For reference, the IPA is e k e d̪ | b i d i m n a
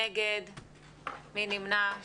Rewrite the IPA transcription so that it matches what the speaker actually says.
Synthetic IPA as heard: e ɡ e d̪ | m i n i m n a